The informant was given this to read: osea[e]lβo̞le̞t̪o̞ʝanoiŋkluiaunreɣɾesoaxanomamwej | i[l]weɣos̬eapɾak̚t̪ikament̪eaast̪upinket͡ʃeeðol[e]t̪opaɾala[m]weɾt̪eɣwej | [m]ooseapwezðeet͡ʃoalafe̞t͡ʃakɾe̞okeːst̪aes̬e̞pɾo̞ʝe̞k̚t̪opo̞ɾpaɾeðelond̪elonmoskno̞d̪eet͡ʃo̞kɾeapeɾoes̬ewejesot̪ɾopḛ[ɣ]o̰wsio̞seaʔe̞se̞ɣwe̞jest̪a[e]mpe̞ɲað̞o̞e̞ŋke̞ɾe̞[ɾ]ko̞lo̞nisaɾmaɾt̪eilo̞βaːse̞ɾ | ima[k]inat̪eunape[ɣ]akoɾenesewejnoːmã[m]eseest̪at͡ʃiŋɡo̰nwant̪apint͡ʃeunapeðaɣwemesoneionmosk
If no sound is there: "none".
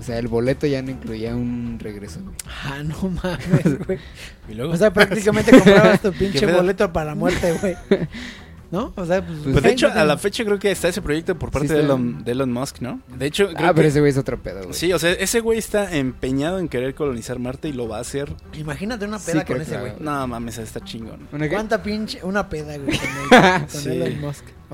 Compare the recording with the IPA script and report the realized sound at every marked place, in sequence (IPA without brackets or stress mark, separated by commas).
e, l, e, m, n, ð, e, ɾ, x, ð, m